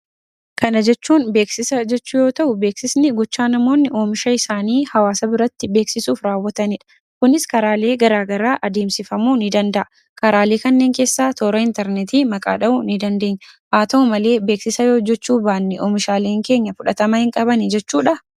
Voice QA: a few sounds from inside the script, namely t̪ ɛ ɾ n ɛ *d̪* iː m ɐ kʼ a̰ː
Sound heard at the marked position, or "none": t̪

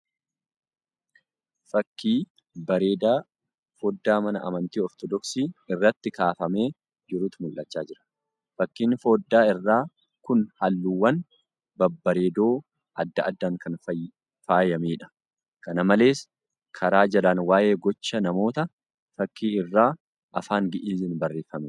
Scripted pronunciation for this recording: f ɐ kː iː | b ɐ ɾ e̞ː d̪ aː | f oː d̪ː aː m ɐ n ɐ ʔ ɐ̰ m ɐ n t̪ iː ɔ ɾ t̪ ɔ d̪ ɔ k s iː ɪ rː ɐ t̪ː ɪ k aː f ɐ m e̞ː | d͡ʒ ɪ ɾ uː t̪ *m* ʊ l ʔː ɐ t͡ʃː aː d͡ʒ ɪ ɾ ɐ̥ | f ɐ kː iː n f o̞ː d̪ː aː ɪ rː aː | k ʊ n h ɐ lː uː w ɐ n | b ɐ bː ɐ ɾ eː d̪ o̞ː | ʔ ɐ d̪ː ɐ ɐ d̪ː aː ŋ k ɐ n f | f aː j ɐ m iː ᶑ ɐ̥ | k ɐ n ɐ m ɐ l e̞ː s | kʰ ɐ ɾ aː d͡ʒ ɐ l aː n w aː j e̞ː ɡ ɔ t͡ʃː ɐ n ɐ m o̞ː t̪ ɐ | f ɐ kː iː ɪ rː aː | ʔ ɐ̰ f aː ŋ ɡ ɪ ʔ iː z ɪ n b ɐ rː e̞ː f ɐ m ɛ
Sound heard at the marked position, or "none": m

